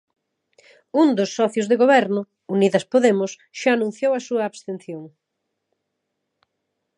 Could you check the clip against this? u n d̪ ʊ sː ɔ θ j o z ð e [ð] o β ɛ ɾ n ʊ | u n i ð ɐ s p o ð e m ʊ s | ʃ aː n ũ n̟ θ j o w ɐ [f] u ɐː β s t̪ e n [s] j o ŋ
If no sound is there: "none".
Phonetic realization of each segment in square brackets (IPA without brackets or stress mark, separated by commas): ɣ, s, θ